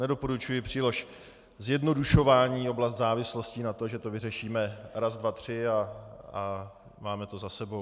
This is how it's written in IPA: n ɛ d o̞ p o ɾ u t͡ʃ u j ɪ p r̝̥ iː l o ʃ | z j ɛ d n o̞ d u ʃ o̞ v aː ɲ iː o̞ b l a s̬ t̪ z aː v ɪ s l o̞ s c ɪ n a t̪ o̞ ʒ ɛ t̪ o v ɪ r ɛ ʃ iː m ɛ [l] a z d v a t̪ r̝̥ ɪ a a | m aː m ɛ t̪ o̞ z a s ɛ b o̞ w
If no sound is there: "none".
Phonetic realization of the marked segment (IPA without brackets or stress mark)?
ɾ